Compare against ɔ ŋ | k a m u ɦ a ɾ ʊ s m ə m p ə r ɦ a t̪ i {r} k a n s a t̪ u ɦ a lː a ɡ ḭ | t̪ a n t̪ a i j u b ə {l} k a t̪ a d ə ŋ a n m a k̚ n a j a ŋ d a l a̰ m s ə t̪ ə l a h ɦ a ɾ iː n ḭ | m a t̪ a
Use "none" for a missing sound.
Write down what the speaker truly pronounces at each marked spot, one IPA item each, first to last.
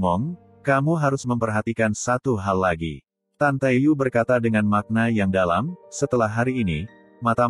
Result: none, r

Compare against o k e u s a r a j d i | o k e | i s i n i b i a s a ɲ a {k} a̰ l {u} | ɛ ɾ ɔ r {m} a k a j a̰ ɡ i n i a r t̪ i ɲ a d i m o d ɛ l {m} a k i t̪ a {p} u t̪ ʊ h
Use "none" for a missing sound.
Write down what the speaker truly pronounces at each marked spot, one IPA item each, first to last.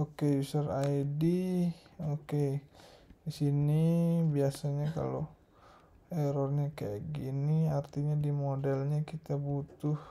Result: k, o, ɲ, ɲ, b

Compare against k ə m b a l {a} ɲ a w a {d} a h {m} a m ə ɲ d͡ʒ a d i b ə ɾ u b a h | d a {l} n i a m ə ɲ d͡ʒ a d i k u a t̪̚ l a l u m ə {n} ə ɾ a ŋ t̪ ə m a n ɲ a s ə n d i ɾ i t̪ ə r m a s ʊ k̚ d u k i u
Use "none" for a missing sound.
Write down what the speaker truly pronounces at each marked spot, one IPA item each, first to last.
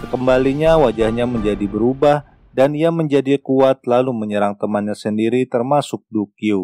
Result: i, d͡ʒ, ɲ, none, ɲ

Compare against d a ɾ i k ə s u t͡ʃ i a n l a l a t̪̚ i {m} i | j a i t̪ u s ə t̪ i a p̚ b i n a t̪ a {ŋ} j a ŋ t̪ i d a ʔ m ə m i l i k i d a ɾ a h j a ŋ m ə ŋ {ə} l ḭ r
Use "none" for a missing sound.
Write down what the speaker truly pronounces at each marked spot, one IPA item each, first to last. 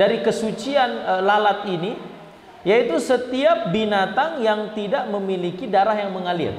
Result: n, ŋ, a

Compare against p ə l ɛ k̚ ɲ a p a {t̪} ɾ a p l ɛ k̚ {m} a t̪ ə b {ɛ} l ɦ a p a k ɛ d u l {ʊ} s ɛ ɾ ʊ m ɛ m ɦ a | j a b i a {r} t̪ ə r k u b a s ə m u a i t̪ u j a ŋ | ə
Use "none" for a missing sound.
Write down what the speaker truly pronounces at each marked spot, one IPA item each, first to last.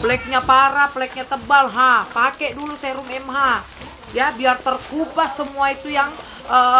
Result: none, ɲ, a, u, r

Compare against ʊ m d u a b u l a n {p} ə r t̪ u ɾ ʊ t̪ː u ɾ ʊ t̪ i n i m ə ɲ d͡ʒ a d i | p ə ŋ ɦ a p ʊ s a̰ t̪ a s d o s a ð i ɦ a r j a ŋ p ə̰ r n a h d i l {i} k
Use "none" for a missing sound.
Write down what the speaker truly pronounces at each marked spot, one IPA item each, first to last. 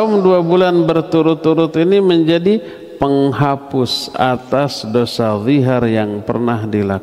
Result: b, a

